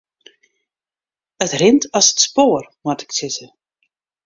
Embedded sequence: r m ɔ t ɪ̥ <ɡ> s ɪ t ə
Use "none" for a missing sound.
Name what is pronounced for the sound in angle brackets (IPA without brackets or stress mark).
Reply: k